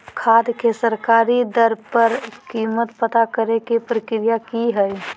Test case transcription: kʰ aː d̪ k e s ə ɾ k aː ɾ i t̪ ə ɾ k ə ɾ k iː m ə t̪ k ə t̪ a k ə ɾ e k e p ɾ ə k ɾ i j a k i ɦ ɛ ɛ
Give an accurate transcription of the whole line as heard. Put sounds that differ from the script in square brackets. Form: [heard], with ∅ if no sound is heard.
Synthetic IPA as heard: kʰ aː d̪ k e s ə ɾ k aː ɾ i [d̪] ə ɾ [p] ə ɾ k iː m ə t̪ [p] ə t̪ a k ə ɾ e k e p ɾ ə k ɾ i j a k i ɦ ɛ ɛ